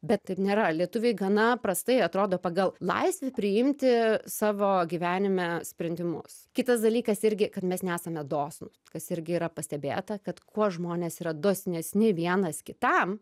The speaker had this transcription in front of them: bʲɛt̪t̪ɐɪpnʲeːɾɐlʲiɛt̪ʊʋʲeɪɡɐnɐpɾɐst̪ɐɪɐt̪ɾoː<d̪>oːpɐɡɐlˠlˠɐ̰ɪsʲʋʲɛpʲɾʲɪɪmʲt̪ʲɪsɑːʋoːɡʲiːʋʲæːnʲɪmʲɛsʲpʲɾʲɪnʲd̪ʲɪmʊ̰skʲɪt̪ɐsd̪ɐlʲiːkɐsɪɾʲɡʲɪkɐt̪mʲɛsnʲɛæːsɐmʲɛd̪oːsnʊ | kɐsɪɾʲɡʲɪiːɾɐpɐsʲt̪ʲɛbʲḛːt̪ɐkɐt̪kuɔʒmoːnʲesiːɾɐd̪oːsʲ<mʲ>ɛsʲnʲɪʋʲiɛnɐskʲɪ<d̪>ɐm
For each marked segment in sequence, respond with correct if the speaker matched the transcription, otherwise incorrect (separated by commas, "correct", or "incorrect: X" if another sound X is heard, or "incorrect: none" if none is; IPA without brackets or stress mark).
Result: correct, incorrect: nʲ, incorrect: t̪